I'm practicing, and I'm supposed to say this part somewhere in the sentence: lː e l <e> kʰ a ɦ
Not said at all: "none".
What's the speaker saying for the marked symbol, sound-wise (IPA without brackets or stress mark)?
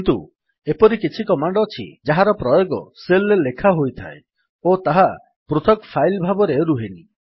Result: e